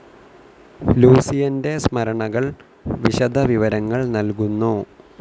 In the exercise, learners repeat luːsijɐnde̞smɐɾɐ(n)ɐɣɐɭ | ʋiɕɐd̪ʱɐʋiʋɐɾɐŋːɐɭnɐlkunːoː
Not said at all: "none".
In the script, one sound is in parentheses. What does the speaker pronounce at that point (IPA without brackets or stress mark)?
ɳ